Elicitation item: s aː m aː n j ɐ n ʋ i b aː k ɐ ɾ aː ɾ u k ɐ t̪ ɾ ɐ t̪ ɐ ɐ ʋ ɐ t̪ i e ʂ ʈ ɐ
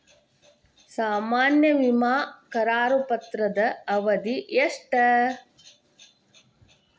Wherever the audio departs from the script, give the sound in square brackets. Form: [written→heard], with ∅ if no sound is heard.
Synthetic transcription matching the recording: s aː m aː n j ɐ [n→∅] ʋ i [b→m] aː k ɐ ɾ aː ɾ u [k→p] ɐ t̪ ɾ ɐ [t̪→d̪] ɐ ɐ ʋ ɐ [t̪→d̪] i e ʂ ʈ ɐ